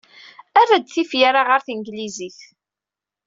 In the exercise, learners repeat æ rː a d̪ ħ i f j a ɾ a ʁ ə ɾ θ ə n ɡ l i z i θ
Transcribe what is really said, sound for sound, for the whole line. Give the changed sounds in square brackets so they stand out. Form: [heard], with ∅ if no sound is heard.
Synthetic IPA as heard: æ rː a d̪ [θ] i f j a ɾ a ʁ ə ɾ θ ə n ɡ l i z i θ